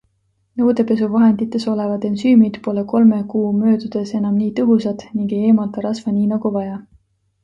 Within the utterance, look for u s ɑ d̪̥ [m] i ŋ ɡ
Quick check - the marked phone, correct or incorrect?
incorrect